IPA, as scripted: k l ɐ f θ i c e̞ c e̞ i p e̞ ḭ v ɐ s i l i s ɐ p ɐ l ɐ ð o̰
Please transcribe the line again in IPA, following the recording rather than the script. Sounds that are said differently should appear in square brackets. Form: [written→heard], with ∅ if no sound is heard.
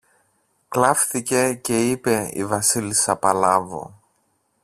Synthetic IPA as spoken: k l ɐ f θ i c e̞ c e̞ i p e̞ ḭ v ɐ s i l i s ɐ p ɐ l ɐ [ð→v] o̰